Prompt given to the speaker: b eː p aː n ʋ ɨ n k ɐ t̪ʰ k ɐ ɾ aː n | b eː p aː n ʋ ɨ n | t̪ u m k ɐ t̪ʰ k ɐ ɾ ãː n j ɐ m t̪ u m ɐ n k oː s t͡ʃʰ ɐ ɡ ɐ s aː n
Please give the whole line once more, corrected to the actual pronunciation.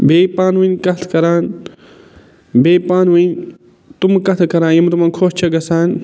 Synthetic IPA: b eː p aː n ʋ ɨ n k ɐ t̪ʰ k ɐ ɾ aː n | b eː p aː n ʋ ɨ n | t̪ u m k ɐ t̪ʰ k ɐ ɾ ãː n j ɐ m t̪ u m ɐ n kʰ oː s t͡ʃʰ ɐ ɡ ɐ s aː n